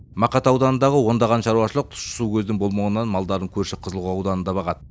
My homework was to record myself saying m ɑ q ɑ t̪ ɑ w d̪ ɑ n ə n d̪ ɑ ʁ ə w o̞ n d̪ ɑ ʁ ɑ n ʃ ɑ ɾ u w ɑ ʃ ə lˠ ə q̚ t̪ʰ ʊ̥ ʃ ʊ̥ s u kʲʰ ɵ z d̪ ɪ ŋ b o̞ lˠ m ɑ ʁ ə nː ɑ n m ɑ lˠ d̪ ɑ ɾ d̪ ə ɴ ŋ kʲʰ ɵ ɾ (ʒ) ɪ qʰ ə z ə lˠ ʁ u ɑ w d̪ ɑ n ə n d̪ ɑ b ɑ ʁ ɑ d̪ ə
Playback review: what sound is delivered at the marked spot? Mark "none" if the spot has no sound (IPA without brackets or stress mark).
ʃ